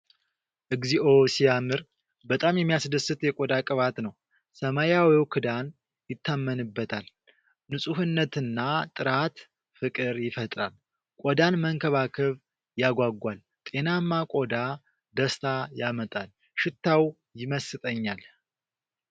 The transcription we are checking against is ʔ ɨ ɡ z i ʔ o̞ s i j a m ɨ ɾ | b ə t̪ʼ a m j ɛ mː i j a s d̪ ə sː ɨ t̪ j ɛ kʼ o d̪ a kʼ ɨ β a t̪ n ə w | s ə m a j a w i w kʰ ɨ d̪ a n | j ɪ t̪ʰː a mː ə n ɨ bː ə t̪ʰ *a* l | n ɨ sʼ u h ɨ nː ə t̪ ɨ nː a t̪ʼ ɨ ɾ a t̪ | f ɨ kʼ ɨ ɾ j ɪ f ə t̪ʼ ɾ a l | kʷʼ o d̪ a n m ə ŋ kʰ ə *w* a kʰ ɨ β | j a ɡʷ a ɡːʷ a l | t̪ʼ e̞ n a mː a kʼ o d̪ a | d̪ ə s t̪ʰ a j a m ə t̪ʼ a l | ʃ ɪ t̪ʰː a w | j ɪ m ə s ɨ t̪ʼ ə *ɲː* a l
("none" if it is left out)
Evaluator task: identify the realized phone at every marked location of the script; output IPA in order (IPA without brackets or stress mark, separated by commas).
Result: a, β, ɲː